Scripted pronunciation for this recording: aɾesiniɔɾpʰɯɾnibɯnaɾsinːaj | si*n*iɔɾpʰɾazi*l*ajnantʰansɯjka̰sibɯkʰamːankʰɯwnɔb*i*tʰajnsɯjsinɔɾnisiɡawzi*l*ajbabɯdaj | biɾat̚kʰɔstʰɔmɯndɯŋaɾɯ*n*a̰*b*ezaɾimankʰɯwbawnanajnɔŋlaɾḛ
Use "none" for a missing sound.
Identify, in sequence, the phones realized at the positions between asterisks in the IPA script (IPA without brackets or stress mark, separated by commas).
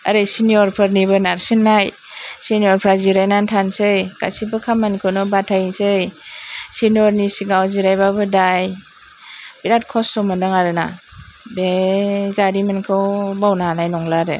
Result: n, ɾ, a, ɾ, n, b